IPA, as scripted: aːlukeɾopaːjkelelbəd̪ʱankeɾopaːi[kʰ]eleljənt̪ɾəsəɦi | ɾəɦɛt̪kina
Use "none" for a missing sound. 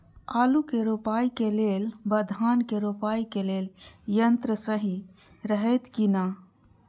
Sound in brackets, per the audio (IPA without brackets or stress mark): k